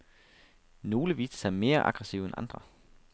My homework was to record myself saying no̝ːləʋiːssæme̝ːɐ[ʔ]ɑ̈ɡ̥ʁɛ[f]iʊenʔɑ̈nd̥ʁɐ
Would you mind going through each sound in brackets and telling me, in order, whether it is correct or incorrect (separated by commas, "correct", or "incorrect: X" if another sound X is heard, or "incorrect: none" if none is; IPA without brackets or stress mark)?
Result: correct, incorrect: s